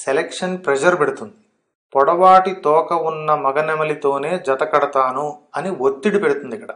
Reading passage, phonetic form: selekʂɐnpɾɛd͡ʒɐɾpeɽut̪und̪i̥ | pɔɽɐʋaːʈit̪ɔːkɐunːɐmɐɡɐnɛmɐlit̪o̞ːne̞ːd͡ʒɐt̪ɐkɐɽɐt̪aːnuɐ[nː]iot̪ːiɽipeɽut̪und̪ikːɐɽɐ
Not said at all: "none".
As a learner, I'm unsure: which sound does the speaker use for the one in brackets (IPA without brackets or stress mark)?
n